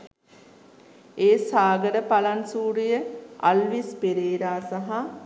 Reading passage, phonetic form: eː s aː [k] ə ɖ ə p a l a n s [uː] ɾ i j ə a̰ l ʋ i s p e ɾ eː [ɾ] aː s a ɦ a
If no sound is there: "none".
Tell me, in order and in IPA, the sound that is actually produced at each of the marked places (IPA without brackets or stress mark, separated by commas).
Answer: ɡ, uː, ɾ